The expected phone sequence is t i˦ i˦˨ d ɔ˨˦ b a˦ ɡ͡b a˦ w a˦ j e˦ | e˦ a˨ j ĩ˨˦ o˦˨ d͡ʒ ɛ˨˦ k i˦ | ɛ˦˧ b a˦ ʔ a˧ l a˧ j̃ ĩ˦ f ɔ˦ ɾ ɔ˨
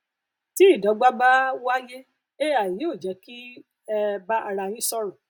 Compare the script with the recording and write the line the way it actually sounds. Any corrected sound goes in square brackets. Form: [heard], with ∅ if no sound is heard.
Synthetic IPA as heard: t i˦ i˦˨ d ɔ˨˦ [ɡ͡b] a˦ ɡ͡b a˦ w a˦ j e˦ | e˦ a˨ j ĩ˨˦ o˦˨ d͡ʒ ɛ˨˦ k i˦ | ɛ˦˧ b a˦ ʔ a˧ [ɾ] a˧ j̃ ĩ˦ [s] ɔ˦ ɾ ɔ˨